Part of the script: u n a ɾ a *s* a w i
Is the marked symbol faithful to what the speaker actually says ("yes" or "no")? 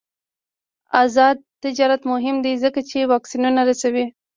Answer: yes